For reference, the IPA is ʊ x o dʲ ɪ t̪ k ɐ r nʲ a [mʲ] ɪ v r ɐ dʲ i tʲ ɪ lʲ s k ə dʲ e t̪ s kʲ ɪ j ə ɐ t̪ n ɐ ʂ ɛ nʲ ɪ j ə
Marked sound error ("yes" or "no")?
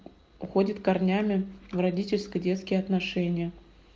no